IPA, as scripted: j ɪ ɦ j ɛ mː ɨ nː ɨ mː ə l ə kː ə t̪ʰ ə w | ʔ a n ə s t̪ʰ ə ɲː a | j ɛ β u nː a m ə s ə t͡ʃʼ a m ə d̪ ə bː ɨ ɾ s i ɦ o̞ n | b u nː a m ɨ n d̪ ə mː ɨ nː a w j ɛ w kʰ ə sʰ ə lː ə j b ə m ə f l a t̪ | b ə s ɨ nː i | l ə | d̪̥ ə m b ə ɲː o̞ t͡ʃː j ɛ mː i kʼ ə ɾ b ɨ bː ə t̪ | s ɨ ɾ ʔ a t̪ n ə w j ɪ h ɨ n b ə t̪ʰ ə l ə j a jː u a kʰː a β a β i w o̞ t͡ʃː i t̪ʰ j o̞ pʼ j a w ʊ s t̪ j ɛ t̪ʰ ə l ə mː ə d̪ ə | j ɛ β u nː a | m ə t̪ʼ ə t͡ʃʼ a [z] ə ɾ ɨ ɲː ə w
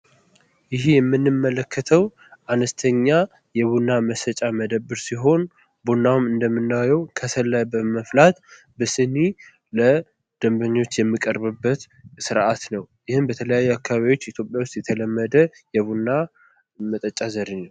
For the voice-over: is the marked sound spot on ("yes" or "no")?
yes